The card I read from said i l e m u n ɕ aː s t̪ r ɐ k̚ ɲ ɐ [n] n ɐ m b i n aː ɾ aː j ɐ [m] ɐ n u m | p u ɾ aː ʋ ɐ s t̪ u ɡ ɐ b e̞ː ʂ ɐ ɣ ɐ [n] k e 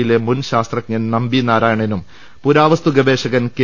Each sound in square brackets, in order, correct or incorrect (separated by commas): correct, incorrect, correct